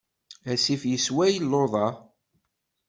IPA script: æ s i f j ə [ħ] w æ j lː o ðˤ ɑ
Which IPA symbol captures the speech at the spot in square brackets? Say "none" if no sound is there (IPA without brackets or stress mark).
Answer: s